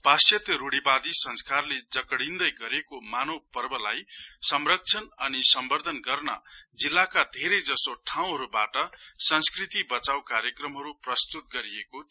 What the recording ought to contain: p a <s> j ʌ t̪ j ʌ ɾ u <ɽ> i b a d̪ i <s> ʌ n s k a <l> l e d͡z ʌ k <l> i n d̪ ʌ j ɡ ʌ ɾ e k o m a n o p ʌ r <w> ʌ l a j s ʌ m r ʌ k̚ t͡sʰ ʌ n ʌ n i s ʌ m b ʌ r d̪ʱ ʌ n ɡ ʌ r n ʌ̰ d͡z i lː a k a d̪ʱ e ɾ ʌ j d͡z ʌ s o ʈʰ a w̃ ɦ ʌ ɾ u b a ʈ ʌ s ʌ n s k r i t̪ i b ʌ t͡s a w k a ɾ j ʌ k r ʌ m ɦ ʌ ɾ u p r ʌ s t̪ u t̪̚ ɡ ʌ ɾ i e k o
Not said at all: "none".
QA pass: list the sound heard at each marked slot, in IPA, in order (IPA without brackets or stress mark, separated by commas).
s, ɽ, s, r, ɽ, b